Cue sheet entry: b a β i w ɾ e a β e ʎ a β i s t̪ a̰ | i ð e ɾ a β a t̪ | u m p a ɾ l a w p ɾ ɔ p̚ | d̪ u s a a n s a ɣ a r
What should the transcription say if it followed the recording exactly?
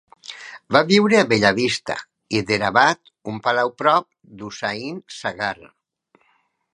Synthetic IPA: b a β i w ɾ e a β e ʎ a β i s t̪ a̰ | i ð e ɾ a β a t̪ | u m p a l a w p ɾ ɔ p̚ | d̪ u s a i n s a ɣ a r